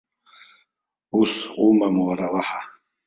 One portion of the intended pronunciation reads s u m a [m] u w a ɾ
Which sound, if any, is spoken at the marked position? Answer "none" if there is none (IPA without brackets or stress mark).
m